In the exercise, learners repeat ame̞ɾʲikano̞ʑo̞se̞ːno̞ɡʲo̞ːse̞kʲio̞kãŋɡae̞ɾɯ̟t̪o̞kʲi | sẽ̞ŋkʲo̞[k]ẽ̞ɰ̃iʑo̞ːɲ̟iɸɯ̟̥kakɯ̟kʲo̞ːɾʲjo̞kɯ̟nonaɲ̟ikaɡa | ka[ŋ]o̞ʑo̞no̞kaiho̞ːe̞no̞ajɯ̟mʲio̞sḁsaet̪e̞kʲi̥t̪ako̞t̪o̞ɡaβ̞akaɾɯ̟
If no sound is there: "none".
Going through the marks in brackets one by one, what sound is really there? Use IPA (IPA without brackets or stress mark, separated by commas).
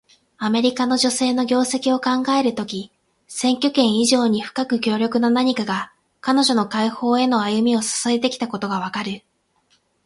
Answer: k, n